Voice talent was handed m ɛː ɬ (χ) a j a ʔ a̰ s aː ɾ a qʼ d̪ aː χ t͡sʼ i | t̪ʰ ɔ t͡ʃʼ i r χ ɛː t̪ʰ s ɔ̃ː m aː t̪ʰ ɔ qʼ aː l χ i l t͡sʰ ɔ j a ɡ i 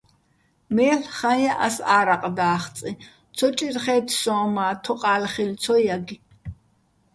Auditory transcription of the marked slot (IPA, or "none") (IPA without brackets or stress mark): χ